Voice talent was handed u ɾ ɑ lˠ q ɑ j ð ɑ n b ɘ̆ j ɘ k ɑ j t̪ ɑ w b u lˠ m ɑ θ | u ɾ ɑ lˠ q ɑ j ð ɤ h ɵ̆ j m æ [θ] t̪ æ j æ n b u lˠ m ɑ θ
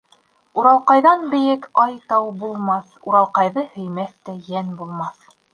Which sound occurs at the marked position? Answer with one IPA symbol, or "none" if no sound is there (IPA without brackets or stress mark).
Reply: θ